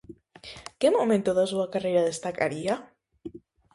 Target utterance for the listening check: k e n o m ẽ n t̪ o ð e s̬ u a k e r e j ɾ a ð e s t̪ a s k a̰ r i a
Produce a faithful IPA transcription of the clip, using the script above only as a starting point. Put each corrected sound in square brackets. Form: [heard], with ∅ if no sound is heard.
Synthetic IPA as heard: k e [m] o m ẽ n t̪ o ð [a] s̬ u a k [a] r e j ɾ a ð e s t̪ a [∅] k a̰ [ɾ] i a